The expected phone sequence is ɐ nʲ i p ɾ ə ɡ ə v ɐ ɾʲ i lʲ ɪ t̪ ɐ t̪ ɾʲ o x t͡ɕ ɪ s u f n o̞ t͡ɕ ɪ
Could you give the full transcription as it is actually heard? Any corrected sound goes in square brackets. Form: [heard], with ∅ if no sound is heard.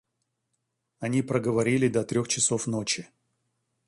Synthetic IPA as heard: ɐ nʲ i p ɾ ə ɡ ə v ɐ ɾʲ i lʲ ɪ [d̪] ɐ t̪ ɾʲ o x t͡ɕ ɪ s [o] f n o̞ t͡ɕ ɪ